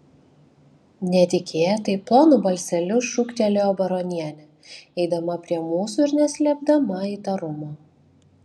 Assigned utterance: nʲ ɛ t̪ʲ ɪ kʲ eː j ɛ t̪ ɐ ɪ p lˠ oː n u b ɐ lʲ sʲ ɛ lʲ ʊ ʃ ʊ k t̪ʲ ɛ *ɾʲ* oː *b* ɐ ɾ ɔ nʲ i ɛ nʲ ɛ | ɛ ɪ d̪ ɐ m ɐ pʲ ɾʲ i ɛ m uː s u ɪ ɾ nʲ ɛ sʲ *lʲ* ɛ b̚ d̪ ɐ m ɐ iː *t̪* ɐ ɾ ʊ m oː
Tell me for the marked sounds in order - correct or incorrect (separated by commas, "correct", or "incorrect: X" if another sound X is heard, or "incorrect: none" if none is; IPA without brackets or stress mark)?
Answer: incorrect: lʲ, correct, correct, correct